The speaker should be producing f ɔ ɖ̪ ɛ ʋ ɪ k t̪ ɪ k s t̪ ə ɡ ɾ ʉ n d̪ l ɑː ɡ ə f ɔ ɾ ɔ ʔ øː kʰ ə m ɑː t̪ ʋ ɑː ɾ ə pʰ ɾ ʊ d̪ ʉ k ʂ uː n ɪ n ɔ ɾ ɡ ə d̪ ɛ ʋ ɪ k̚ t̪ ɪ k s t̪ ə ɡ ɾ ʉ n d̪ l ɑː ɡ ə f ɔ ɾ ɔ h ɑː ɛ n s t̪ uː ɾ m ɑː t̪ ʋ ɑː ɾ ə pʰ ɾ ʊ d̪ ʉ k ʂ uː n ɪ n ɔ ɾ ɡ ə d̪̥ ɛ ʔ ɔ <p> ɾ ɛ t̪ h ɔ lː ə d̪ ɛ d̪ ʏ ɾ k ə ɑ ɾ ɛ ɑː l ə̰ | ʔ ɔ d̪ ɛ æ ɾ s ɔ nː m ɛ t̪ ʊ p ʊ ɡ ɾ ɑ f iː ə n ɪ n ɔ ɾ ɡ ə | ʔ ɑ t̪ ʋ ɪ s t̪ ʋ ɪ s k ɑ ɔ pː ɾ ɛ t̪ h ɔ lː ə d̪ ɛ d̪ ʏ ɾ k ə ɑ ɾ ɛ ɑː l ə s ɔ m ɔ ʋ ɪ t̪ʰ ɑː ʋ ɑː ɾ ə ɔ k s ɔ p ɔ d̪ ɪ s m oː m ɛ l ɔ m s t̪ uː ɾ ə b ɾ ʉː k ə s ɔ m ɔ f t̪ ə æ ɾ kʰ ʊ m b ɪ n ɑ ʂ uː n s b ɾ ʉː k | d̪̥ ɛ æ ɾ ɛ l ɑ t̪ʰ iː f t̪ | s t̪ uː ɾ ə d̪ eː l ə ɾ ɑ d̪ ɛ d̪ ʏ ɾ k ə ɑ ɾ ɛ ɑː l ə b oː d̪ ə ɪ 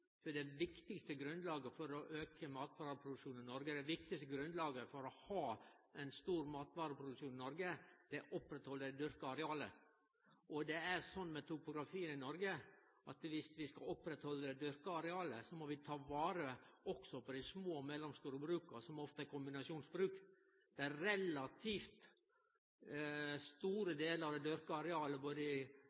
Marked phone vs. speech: correct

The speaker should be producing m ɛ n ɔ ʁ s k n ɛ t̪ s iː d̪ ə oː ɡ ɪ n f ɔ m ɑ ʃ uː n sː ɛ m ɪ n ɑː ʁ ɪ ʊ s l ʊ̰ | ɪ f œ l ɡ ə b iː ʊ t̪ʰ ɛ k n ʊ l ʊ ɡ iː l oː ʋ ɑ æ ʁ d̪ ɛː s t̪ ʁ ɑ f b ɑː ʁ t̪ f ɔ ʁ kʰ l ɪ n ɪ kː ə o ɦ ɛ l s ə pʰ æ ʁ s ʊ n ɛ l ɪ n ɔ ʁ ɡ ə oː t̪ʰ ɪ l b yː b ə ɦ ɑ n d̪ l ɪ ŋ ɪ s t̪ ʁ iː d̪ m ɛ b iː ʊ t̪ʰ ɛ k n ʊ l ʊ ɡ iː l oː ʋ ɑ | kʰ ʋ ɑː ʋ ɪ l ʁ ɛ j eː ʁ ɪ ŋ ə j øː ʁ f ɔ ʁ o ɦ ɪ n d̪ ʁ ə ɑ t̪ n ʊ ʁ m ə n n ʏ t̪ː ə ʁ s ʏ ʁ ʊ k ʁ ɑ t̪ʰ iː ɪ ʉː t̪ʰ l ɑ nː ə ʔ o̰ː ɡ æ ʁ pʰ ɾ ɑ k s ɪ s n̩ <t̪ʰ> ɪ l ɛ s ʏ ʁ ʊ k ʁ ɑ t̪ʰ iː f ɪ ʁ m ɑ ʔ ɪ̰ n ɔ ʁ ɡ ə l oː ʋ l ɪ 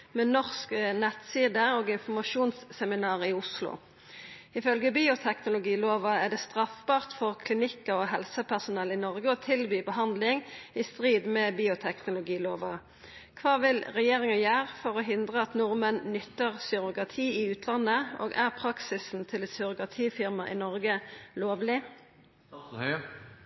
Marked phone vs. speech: correct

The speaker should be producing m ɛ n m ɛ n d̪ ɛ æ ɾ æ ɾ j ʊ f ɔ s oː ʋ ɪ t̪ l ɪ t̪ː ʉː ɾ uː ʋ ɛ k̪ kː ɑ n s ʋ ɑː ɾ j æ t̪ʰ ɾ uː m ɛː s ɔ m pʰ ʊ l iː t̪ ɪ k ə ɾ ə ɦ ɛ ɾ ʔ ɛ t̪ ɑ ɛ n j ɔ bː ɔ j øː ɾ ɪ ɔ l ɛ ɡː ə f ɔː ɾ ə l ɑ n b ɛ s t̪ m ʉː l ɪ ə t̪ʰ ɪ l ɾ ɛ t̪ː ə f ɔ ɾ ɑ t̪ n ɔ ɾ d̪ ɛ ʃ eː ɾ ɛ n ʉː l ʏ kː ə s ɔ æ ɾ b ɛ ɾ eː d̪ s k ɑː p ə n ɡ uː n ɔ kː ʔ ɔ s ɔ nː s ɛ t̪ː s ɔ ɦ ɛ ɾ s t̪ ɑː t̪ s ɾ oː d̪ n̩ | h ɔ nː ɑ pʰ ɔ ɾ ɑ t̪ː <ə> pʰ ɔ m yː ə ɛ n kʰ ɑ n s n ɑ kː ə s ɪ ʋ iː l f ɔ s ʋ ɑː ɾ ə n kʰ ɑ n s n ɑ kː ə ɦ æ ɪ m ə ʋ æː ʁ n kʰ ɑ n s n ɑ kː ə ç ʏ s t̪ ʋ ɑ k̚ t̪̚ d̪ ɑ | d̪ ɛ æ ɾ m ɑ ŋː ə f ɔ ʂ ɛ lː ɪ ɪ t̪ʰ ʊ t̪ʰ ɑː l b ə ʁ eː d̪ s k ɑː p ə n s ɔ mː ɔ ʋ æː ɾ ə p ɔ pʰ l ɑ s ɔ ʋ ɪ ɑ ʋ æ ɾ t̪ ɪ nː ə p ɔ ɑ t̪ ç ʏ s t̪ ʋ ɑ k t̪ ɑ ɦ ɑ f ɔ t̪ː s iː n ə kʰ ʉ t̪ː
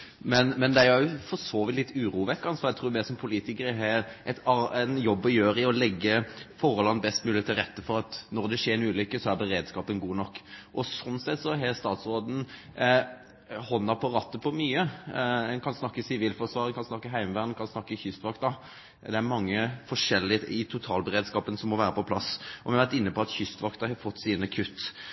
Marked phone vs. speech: correct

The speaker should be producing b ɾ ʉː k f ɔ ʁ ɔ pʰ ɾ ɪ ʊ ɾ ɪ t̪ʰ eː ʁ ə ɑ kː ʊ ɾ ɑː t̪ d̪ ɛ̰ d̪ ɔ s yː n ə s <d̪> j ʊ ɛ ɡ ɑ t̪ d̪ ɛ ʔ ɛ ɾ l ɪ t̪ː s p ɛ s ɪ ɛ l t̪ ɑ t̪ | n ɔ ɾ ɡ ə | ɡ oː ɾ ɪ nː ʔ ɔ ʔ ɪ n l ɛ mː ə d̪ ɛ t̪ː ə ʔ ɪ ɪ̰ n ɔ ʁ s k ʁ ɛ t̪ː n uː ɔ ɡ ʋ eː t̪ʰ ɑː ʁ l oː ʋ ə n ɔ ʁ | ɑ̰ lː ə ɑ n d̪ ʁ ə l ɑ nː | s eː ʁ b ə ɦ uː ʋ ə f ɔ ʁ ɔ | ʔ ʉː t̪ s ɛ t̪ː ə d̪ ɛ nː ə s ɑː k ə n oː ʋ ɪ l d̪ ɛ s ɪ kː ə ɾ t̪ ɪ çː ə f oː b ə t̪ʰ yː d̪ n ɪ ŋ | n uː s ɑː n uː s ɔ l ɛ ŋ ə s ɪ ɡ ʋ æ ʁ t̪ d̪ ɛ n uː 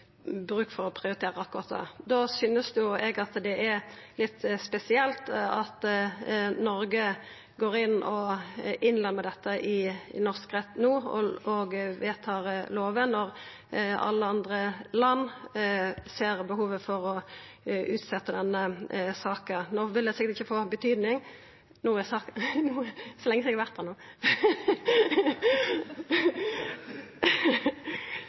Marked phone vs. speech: correct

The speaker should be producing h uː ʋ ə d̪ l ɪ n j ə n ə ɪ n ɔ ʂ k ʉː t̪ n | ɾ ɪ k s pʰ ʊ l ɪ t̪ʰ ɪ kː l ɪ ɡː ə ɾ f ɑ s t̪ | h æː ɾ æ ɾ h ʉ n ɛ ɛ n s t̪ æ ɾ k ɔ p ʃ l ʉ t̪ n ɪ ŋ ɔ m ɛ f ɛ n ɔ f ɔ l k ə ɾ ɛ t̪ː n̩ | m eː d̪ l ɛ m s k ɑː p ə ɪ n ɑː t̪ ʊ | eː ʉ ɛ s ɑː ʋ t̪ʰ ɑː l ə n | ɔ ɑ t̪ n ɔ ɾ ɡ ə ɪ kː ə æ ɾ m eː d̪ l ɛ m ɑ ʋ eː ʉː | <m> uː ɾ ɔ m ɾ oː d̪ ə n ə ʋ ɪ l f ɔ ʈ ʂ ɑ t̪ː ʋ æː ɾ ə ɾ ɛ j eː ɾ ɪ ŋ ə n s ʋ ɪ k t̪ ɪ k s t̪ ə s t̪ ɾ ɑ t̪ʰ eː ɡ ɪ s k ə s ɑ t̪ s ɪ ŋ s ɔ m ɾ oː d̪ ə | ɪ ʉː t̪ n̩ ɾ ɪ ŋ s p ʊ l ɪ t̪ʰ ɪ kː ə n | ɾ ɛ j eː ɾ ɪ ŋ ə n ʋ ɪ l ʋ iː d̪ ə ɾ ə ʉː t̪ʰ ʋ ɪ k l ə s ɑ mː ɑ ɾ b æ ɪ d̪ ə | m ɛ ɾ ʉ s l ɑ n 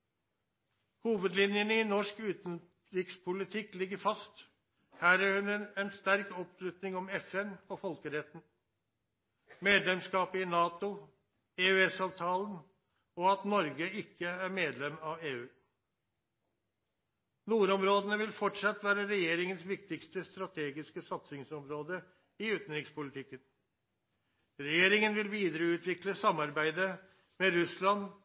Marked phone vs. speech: incorrect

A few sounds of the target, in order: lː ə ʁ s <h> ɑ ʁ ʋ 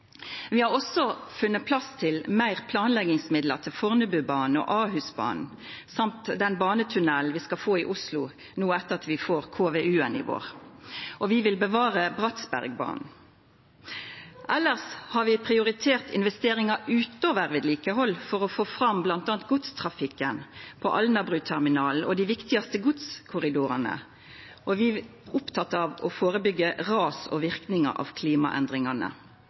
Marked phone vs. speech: correct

